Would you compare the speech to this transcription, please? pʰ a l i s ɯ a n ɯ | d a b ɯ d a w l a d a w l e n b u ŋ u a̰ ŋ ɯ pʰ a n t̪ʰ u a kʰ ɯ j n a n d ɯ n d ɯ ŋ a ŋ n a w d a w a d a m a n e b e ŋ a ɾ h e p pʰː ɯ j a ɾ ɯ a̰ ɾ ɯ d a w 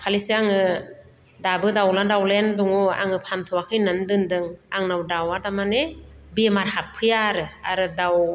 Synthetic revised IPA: pʰ a l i s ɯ a ŋ ɯ | d a b ɯ d a w l a d a w l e n d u ŋ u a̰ ŋ ɯ pʰ a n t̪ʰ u a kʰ ɯ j n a n d ɯ n d ɯ ŋ a ŋ n a w d a w a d a m a n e b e m a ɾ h a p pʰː ɯ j a ɾ ɯ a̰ ɾ ɯ d a w

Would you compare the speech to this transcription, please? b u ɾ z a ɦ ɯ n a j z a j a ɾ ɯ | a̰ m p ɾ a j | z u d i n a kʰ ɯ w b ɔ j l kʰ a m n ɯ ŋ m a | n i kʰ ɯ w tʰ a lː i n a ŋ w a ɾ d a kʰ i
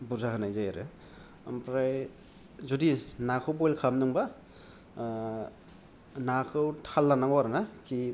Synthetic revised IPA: b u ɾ z a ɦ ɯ n a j z a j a ɾ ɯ | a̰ m p ɾ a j | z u d i n a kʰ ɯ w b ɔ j l kʰ a m n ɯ ŋ b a | n a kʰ ɯ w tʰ a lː a n a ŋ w a ɾ n a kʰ i

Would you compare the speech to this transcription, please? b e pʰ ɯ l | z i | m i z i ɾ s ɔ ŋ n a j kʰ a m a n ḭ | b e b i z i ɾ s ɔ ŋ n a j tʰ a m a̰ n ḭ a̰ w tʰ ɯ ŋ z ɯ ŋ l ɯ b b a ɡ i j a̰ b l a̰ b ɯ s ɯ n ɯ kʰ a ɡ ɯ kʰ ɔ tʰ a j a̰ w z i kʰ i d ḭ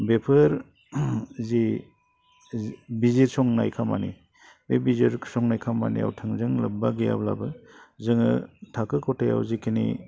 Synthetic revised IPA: b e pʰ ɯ ɾ | z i | b i z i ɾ s ɔ ŋ n a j kʰ a m a n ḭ | b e b i z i ɾ s ɔ ŋ n a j kʰ a m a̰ n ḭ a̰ w tʰ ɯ ŋ z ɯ ŋ l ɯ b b a ɡ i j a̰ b l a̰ b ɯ z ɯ ŋ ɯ tʰ a k ɯ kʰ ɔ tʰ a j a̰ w z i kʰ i n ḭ

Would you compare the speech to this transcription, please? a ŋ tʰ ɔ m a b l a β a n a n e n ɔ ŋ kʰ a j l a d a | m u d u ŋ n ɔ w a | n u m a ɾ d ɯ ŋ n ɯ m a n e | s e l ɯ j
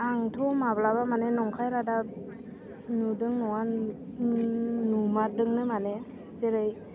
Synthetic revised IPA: a ŋ tʰ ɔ m a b l a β a m a n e n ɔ ŋ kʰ a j ɾ a d a | n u d ɯ ŋ n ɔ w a | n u m a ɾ d ɯ ŋ n ɯ m a n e | s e ɾ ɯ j

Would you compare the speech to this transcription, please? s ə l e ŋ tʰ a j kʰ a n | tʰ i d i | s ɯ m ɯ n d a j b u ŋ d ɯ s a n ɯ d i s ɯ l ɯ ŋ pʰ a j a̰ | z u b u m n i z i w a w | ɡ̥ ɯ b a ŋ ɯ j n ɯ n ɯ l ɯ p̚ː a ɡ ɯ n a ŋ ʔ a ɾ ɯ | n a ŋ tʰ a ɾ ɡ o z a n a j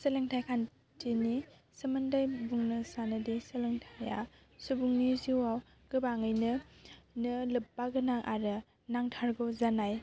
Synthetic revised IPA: s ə l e ŋ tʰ a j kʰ a n | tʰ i n i | s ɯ m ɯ n d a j b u ŋ n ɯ s a n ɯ d i s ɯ l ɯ ŋ tʰ a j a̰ | s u b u ŋ n i z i w a w | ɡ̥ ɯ b a ŋ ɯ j n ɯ n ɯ l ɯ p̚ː a ɡ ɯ n a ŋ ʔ a ɾ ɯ | n a ŋ tʰ a ɾ ɡ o z a n a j

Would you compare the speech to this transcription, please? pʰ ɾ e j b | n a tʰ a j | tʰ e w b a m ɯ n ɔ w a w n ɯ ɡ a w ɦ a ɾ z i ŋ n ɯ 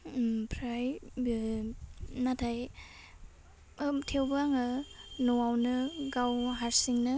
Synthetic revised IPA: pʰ ɾ a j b | n a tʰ a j | tʰ e w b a ŋ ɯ n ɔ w a w n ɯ ɡ a w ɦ a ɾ s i ŋ n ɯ

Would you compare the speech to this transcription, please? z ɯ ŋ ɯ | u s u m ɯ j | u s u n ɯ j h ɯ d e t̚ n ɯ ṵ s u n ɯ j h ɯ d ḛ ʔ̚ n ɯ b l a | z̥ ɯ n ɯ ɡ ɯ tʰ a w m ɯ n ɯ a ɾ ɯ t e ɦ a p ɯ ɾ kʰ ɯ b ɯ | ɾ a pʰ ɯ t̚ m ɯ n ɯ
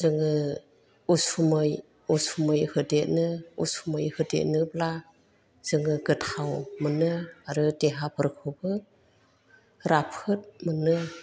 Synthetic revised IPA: z ɯ ŋ ɯ | u s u m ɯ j | u s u m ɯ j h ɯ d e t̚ n ɯ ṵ s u m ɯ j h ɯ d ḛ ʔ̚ n ɯ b l a | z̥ ɯ ŋ ɯ ɡ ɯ tʰ a w m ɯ n ɯ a ɾ ɯ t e ɦ a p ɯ ɾ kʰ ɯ b ɯ | ɾ a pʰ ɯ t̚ m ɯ n ɯ

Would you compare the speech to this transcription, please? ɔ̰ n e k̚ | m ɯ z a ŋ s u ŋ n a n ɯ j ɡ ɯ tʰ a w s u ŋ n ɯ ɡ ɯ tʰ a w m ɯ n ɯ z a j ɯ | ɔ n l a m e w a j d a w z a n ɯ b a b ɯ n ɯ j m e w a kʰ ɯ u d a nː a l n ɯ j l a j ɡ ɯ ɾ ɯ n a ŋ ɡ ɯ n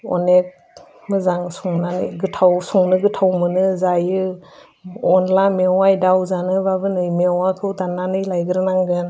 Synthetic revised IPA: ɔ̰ n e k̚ | m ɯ z a ŋ s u ŋ n a n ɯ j ɡ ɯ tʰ a w s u ŋ n ɯ ɡ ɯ tʰ a w m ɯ n ɯ z a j ɯ | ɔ n l a m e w a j d a w z a n ɯ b a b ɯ n ɯ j m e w a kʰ ɯ w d a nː a n ɯ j l a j ɡ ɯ ɾ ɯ n a ŋ ɡ ɯ n

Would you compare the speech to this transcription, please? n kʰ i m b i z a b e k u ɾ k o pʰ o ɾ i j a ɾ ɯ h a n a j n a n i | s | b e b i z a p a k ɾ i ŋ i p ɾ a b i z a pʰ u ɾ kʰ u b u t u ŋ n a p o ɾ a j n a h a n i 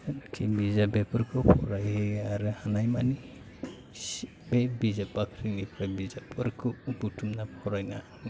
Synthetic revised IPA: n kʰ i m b i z a b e p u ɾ k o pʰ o ɾ a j a ɾ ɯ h a n a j m a n i | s | b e b i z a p a k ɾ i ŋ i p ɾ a b i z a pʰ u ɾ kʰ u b u t u m n a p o ɾ a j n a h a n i

